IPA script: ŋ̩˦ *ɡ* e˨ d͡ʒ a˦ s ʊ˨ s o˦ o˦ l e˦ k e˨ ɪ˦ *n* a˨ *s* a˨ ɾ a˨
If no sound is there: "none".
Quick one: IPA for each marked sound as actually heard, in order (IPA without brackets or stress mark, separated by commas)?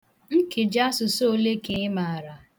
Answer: k, m, none